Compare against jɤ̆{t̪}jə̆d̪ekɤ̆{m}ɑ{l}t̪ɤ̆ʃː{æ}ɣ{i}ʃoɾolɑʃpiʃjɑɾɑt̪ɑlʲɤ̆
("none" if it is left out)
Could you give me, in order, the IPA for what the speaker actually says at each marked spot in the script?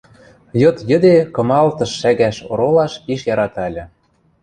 t̪, m, l, æ, æ

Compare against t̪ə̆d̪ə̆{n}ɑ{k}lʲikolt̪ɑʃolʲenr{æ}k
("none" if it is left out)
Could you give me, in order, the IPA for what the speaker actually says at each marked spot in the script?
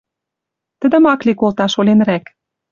m, k, æ

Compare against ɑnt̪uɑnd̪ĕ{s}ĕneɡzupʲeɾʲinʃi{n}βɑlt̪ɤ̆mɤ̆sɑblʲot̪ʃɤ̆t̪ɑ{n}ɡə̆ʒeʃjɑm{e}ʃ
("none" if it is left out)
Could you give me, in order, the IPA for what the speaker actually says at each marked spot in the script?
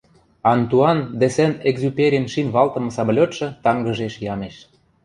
s, n, ŋ, e

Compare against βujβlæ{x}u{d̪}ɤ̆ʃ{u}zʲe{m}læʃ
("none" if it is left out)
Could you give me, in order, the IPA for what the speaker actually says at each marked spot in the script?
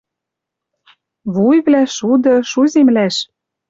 ʃ, d̪, u, m

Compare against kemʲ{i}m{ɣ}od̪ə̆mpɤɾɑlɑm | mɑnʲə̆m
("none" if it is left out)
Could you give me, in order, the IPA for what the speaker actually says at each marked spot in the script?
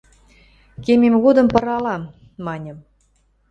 e, ɣ

